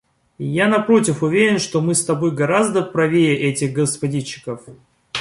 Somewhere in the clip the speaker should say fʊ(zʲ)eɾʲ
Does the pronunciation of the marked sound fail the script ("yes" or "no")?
yes